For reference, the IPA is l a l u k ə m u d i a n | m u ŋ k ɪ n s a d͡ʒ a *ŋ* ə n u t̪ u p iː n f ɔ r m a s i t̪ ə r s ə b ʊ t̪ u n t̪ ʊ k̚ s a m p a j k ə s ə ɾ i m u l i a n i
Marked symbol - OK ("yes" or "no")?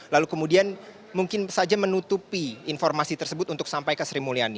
no